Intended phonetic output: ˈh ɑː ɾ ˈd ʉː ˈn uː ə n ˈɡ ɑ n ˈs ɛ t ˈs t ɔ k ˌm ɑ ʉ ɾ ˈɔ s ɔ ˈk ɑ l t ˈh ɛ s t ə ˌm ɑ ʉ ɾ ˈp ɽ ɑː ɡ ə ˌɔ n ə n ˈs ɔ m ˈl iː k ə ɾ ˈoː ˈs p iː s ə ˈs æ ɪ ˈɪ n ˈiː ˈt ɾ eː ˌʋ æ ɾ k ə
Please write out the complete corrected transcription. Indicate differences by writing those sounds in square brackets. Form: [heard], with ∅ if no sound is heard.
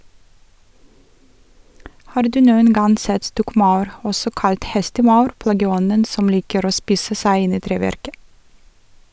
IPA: ˈh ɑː ɾ ˈd ʉː ˈn uː ə n ˈɡ ɑ n ˈs ɛ t ˈs t ɔ k ˌm ɑ ʉ ɾ ˈɔ s ɔ ˈk ɑ l t ˈh ɛ s t ə ˌm ɑ ʉ ɾ ˈp [l] ɑː ɡ ə ˌɔ n ə n ˈs ɔ m ˈl iː k ə ɾ ˈoː ˈs p iː s ə ˈs æ ɪ ˈɪ n ˈiː ˈt ɾ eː ˌʋ æ ɾ k ə